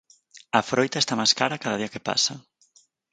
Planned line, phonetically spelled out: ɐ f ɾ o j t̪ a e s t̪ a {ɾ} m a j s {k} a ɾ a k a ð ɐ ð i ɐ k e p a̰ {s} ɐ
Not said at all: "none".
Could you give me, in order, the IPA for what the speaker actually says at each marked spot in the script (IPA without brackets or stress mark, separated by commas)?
none, k, s